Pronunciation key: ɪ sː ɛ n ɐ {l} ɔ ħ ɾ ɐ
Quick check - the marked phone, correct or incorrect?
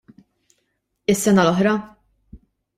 correct